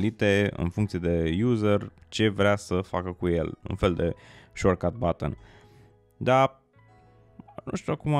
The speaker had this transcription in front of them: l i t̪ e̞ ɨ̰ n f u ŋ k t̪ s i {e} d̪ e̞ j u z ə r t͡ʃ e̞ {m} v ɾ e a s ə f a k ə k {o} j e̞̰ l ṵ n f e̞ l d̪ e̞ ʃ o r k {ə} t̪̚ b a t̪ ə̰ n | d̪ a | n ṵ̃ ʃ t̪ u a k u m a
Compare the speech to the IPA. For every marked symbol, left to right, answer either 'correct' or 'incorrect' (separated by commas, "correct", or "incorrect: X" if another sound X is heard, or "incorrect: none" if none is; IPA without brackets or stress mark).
correct, incorrect: none, incorrect: u, incorrect: a